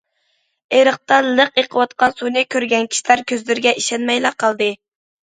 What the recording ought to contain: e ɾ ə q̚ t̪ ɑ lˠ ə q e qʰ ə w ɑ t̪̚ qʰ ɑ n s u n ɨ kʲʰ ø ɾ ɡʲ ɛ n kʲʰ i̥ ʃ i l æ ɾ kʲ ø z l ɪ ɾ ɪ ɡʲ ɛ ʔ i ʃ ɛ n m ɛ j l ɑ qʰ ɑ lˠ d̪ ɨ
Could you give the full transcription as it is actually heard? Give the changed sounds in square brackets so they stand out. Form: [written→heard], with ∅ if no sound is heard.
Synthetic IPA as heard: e ɾ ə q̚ t̪ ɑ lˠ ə q e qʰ ə w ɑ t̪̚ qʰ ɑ n s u n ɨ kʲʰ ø ɾ ɡʲ ɛ n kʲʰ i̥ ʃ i l æ ɾ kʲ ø z l ɪ ɾ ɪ ɡʲ ɛ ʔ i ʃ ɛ n m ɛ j l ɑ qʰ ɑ lˠ d̪ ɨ